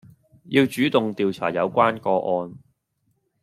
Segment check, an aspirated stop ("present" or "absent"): present